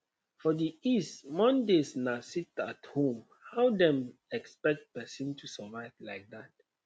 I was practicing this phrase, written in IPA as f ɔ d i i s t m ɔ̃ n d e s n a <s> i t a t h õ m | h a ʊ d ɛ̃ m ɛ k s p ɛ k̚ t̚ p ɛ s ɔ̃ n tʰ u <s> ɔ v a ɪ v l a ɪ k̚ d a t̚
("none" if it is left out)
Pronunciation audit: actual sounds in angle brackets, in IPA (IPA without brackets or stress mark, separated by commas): s, s